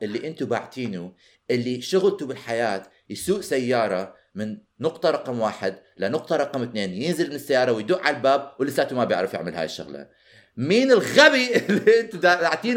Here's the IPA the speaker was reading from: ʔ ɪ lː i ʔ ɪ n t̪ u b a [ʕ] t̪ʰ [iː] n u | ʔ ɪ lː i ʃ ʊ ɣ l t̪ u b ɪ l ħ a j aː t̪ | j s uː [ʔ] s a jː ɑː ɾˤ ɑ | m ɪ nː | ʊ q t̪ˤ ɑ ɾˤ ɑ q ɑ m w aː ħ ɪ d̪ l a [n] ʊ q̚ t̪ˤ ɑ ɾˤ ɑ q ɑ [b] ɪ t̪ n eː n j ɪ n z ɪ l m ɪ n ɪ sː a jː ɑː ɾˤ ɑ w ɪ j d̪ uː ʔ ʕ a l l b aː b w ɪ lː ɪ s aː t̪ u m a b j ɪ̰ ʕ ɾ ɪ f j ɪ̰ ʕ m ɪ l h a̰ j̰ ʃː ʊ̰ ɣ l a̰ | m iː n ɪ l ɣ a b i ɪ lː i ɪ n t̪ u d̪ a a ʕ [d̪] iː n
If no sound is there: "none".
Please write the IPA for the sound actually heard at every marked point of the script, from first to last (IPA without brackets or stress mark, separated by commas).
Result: ʕ, iː, ʔ, n, m, t̪